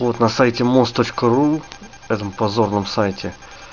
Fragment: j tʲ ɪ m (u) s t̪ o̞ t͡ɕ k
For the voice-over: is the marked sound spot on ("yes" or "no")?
no